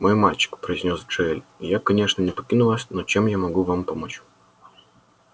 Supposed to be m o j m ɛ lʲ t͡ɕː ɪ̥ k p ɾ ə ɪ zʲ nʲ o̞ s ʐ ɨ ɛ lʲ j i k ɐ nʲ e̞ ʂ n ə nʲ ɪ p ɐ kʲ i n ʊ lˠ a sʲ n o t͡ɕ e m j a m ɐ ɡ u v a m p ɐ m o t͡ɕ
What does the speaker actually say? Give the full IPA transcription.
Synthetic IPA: m o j m a lʲ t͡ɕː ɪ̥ k p ɾ ə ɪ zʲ nʲ o̞ s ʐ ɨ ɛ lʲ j a k ɐ nʲ e̞ ʂ n ə nʲ ɪ p ɐ kʲ i n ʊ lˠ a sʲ n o t͡ɕ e m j a m ɐ ɡ u v a m p ɐ m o t͡ɕ

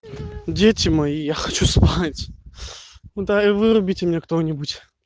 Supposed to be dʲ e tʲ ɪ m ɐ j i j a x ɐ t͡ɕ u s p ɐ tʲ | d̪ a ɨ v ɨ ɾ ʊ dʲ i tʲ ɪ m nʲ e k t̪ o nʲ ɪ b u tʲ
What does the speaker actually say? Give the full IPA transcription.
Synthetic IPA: dʲ e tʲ ɪ m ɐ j i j a x ɐ t͡ɕ u s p a tʲ | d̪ a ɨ v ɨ ɾ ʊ bʲ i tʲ ɪ m nʲ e k t̪ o nʲ ɪ b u tʲ

